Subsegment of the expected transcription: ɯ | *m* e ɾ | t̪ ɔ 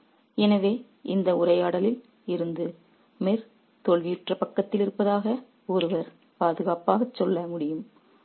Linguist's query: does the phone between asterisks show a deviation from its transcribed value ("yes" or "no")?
no